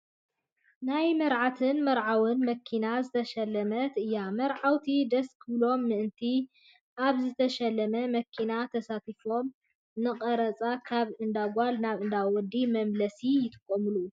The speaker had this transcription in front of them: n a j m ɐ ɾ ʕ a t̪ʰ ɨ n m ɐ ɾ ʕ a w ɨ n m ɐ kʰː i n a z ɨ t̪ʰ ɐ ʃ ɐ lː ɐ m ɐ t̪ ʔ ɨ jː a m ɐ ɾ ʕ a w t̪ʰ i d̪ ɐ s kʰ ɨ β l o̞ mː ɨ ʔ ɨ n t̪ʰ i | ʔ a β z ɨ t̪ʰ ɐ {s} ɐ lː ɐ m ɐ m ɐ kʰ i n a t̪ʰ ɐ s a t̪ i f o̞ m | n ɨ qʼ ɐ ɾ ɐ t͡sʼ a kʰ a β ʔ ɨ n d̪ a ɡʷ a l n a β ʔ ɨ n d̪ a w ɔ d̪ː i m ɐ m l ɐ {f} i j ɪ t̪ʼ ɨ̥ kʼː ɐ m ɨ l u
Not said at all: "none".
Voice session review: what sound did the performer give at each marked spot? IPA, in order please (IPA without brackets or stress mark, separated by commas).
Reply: ʃ, s